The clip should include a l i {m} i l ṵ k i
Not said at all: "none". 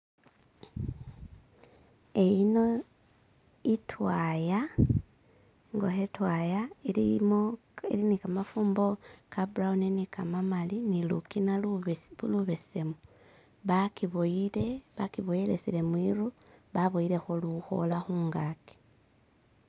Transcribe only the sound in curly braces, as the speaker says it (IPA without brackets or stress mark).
n